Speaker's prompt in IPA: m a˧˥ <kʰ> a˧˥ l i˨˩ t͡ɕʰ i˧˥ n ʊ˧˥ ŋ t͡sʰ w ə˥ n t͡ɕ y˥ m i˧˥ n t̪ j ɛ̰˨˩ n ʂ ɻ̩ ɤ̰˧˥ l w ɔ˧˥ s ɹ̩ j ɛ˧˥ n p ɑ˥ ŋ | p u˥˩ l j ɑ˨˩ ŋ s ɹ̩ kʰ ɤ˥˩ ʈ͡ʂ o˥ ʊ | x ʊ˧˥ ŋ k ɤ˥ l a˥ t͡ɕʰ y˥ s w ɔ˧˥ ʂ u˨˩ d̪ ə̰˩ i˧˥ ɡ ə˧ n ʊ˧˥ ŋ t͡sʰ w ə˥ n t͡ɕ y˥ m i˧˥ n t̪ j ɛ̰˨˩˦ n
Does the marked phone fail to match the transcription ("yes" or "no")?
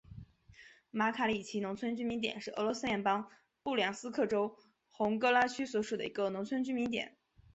no